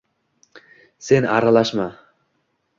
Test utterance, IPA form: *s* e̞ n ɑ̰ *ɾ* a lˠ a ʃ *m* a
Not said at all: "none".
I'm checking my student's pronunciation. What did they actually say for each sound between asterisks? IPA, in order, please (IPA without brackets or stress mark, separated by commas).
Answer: s, ɾ, m